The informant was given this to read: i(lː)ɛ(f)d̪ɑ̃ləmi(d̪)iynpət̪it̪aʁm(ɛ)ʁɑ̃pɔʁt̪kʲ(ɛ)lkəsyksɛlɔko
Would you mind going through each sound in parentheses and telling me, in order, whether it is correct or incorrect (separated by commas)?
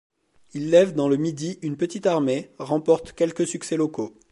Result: correct, incorrect, correct, incorrect, correct